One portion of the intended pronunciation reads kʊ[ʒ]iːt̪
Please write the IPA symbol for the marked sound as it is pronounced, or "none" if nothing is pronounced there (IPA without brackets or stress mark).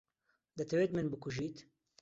ʒ